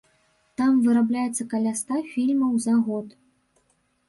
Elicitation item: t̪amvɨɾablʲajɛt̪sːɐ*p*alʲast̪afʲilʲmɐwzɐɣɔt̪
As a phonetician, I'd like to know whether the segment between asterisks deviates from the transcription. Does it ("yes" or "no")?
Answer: yes